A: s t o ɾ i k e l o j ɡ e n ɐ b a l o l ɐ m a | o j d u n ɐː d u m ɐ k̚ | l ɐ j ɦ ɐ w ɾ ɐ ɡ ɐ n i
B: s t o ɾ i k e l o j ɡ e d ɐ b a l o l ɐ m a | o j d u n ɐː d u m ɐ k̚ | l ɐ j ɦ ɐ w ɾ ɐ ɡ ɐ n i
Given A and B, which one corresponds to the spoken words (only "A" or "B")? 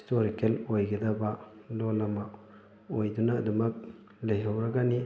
B